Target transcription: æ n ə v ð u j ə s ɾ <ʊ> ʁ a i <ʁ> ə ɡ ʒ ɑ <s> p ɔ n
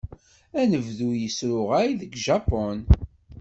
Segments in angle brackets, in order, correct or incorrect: correct, incorrect, incorrect

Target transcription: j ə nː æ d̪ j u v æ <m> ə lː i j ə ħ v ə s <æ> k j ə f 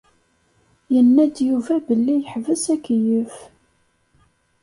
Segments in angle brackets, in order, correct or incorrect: incorrect, correct

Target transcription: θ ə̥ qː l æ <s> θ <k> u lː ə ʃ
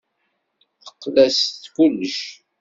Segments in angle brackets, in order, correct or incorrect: correct, correct

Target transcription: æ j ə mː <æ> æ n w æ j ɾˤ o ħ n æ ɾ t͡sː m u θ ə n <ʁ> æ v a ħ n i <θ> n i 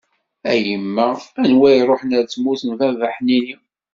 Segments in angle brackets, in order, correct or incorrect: correct, incorrect, incorrect

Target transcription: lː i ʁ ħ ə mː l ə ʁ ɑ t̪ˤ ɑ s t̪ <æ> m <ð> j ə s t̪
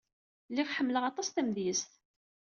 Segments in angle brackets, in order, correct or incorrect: correct, correct

